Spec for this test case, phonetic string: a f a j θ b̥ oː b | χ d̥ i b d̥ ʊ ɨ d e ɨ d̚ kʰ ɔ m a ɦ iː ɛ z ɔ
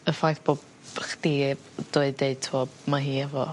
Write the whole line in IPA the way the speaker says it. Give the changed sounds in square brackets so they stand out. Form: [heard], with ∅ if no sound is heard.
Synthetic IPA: [ə] f a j θ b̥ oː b | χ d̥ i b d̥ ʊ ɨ d e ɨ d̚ [tʰ] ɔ m a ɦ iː ɛ [v] ɔ